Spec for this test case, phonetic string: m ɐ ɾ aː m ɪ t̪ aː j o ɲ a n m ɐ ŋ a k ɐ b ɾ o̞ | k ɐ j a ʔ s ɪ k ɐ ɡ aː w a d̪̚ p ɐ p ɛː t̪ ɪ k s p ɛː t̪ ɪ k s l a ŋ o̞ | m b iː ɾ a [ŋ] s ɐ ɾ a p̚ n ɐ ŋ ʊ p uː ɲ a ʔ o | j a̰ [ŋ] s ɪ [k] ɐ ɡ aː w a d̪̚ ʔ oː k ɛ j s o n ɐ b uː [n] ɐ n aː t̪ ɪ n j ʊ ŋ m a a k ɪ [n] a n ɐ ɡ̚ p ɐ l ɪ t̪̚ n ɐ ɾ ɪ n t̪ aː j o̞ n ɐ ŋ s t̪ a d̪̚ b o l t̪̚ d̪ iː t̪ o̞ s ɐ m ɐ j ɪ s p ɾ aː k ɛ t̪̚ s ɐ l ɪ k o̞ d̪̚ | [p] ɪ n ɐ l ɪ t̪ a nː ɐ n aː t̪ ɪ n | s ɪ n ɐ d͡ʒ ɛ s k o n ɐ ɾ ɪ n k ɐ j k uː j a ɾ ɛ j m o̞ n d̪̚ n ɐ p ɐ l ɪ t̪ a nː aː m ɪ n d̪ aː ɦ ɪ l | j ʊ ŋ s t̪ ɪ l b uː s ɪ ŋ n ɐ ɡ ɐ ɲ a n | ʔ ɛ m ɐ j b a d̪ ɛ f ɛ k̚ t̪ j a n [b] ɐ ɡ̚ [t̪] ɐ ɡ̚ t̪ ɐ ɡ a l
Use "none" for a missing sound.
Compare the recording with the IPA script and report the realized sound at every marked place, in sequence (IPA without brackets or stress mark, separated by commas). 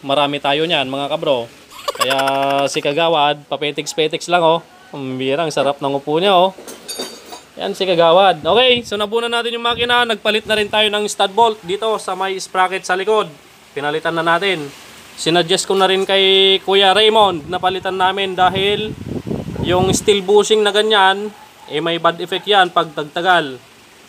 ŋ, n, k, n, n, p, p, t̪